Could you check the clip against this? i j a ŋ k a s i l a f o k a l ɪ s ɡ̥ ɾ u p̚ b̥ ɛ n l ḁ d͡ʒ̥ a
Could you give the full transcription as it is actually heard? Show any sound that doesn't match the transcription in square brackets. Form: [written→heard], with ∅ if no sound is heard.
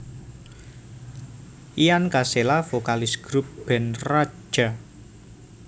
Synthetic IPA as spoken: i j a [ŋ→n] k a s [i→e] l a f o k a l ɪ s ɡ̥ ɾ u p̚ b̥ ɛ n [l→r] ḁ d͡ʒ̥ a